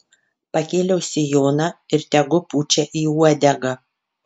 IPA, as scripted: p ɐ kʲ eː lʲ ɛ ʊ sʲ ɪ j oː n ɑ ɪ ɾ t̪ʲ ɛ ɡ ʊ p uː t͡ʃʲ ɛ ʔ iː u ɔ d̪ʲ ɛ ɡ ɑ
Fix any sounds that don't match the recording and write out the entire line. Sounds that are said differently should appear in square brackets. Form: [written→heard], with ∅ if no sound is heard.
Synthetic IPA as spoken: p ɐ kʲ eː lʲ ɛ ʊ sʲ ɪ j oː n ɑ ɪ ɾ t̪ʲ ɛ ɡ ʊ p uː t͡ʃʲ ɛ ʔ iː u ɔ d̪ʲ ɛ ɡ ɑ